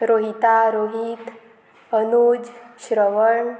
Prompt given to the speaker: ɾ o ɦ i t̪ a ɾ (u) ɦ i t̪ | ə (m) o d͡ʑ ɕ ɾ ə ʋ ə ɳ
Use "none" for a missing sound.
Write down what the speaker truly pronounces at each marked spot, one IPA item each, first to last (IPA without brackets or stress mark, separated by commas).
o, n